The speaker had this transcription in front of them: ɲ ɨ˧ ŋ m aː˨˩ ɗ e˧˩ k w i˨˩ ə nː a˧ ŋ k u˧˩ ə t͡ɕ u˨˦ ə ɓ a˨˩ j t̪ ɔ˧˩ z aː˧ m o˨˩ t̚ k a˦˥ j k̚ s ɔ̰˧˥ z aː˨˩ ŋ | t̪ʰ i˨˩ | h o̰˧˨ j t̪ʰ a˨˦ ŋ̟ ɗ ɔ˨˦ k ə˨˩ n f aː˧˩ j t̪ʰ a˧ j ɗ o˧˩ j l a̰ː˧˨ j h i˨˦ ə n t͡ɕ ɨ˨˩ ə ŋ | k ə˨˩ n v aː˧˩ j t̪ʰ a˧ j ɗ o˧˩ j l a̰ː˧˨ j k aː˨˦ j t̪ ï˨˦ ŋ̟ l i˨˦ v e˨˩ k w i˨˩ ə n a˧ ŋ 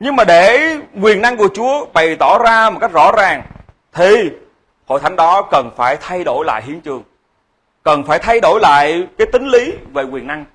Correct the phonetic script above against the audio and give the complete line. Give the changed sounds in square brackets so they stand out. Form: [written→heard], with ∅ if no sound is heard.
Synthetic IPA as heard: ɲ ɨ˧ ŋ m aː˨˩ ɗ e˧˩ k w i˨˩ ə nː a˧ ŋ k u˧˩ ə t͡ɕ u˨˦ ə ɓ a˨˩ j t̪ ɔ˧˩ z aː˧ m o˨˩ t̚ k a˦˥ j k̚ [s→z] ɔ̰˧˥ z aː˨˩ ŋ | t̪ʰ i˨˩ | h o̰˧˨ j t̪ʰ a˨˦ ŋ̟ ɗ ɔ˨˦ k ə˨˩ n f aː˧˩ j t̪ʰ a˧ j ɗ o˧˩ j l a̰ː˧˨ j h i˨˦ ə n t͡ɕ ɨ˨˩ ə ŋ | k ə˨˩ n [v→f] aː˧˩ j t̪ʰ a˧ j ɗ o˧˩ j l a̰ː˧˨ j k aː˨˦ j t̪ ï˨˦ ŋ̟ l i˨˦ v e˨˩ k w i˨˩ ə n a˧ ŋ

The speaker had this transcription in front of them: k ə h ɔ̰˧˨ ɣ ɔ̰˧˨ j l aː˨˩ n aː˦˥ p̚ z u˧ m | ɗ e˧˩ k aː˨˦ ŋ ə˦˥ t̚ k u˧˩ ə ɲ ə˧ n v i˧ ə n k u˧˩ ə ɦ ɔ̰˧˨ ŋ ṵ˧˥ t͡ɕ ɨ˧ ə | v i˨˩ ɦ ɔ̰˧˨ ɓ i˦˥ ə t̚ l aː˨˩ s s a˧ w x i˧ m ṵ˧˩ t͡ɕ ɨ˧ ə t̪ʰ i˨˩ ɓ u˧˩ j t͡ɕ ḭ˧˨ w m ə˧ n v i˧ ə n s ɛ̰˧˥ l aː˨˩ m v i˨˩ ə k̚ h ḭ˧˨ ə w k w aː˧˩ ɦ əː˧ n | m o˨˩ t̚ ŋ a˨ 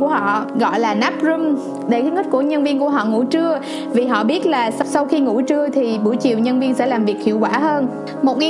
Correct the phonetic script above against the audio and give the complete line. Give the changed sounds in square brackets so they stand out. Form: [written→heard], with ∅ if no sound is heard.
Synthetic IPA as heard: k ə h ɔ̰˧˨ ɣ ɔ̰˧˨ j l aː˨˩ n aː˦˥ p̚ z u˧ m | ɗ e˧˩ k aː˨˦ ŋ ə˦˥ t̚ k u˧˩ ə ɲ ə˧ n v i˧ ə n k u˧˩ ə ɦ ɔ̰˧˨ ŋ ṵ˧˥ t͡ɕ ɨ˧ ə | v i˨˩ ɦ ɔ̰˧˨ ɓ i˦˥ ə t̚ l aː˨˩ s s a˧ w x i˧ [m→ŋ] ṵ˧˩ t͡ɕ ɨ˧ ə t̪ʰ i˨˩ ɓ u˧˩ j t͡ɕ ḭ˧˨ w [m→ɲ] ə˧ n v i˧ ə n s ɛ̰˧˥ l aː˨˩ m v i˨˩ ə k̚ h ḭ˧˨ ə w k w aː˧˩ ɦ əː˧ n | m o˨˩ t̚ ŋ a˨

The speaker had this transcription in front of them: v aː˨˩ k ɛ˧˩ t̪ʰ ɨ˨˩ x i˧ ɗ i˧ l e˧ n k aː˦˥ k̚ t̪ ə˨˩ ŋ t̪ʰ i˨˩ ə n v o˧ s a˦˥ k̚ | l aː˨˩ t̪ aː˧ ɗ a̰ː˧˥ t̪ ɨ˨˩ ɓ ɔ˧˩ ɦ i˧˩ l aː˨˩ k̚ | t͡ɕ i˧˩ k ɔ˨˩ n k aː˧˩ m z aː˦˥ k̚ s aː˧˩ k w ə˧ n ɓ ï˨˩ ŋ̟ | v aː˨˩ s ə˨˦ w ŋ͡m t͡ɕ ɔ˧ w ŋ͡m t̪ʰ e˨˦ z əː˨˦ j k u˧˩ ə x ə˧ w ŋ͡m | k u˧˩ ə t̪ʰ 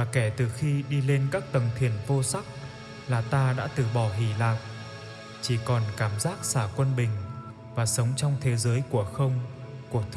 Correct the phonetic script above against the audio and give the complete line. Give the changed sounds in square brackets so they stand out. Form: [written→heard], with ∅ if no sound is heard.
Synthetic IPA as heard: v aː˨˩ k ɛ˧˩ [t̪ʰ→t̪] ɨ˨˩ x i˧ ɗ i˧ l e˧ n k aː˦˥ k̚ t̪ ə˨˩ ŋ t̪ʰ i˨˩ ə n v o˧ s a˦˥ k̚ | l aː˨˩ t̪ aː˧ ɗ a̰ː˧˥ t̪ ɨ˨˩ ɓ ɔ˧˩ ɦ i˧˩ l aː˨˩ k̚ | t͡ɕ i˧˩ k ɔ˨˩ n k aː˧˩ m z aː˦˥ k̚ s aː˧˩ k w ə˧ n ɓ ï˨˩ ŋ̟ | v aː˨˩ s ə˨˦ w ŋ͡m t͡ɕ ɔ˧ w ŋ͡m t̪ʰ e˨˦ z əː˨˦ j k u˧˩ ə x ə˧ w ŋ͡m | k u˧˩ ə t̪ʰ

